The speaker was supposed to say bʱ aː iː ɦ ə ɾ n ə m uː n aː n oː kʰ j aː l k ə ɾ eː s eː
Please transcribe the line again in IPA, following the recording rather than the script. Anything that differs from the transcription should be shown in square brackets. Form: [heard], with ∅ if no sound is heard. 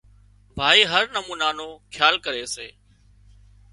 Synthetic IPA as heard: bʱ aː iː ɦ ə ɾ n ə m uː n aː n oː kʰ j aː l k ə ɾ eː s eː